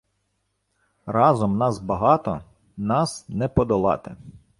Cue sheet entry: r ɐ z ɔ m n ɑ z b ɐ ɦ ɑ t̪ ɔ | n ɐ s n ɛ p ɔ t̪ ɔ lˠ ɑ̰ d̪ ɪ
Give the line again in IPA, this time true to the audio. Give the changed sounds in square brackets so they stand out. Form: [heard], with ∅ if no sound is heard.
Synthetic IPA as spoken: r [ɑ] z ɔ m n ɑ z b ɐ ɦ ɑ t̪ ɔ | n [ɑ] s n ɛ p ɔ [d̪] ɔ lˠ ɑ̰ [t̪] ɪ